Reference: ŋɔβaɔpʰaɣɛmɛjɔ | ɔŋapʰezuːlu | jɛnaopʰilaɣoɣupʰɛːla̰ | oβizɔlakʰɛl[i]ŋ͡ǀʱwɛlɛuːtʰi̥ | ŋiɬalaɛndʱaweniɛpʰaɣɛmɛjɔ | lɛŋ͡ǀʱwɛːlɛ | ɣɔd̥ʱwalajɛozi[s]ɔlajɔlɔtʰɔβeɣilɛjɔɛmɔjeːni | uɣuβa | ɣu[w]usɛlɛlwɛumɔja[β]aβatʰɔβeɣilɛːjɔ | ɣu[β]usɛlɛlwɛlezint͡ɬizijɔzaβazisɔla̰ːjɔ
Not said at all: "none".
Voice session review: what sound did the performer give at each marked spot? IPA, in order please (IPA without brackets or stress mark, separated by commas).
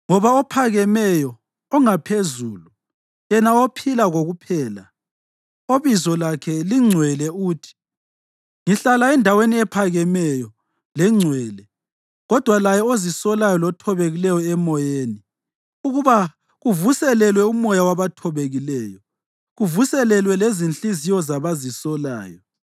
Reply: i, s, v, w, v